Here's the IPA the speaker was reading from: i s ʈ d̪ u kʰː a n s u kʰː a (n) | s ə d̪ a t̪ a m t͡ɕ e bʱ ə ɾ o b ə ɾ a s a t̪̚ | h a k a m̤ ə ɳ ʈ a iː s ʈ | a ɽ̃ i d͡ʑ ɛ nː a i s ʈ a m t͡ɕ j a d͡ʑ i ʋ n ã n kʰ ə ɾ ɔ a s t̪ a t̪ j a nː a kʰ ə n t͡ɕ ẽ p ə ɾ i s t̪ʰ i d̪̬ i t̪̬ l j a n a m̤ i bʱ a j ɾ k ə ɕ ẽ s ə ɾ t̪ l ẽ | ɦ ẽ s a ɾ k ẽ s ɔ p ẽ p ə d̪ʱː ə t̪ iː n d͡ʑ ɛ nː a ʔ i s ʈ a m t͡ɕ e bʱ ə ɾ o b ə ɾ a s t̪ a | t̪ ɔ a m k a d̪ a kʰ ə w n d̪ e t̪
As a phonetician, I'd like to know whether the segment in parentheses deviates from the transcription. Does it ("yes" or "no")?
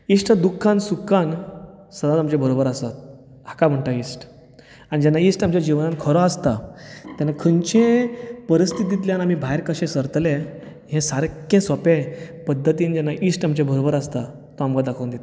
no